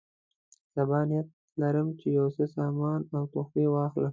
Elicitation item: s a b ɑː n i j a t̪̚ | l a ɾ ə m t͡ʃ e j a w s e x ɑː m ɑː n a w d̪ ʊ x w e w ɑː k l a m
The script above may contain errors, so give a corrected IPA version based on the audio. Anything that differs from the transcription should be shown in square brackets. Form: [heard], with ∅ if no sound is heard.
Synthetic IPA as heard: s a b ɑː n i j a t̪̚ | l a ɾ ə m t͡ʃ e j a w s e [s] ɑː m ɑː n a w [t̪] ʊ x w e w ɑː [x] l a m

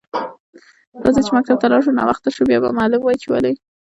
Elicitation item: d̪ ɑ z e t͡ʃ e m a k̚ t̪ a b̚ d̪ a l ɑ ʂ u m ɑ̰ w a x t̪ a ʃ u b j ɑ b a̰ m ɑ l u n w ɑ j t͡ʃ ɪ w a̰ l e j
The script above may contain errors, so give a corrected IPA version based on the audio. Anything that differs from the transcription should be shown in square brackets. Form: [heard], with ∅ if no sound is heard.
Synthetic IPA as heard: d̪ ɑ z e t͡ʃ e m a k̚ t̪ a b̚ [t̪] a l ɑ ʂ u [n] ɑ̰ w a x t̪ a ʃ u b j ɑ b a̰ m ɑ l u [m] w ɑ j t͡ʃ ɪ w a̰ l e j

